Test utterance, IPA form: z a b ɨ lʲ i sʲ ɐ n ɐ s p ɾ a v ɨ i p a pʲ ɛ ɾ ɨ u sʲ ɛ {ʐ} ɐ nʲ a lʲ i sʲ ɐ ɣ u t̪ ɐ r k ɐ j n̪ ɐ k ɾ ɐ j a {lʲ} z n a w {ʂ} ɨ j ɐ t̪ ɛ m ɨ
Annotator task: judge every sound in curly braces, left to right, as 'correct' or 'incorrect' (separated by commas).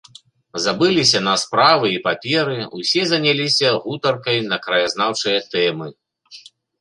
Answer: incorrect, incorrect, incorrect